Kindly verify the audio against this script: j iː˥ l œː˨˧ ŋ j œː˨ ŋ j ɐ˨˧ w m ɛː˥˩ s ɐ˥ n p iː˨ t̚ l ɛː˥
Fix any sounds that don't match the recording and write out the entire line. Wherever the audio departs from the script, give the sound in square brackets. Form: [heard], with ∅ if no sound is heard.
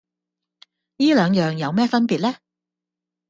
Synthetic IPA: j iː˥ l œː˨˧ ŋ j œː˨ ŋ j ɐ˨˧ w m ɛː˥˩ [f] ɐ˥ n p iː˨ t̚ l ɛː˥